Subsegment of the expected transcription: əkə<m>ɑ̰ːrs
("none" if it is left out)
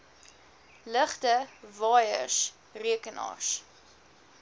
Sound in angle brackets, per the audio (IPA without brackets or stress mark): n